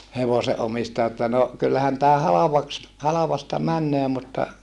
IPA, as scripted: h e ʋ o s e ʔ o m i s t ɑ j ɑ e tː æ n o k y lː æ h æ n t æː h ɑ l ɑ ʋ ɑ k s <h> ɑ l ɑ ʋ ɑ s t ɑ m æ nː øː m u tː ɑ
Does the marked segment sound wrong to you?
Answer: no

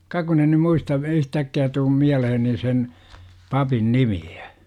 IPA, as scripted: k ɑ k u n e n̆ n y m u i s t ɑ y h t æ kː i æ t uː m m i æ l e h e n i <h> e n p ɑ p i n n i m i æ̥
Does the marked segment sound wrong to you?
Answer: yes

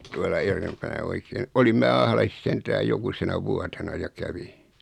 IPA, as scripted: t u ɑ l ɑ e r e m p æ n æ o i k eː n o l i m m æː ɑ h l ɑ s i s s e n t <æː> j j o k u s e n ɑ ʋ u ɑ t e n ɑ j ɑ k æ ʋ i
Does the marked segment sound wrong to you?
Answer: no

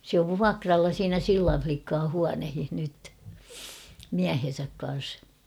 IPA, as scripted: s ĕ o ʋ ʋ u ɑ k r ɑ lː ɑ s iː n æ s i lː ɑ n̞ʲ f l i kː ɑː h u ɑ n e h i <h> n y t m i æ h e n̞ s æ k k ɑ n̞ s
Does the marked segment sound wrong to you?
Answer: no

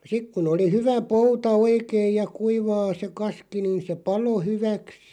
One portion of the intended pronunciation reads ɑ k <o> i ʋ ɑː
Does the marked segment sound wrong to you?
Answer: yes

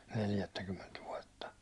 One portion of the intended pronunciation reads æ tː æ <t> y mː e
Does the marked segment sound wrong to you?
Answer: yes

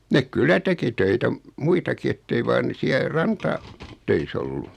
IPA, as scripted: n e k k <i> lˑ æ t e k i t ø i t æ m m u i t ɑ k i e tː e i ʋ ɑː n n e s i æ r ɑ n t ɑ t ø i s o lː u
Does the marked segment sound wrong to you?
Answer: yes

